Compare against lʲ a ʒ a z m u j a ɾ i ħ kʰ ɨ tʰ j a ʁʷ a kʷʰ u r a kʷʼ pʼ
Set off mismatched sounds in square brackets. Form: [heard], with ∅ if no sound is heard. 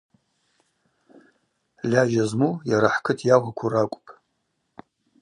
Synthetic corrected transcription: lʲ a ʒ a z m u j a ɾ [a] ħ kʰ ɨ tʰ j a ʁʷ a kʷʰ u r a kʷʼ pʼ